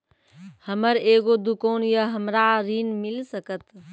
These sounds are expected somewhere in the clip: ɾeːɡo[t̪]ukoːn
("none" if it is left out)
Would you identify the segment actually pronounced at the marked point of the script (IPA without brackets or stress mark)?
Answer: d̪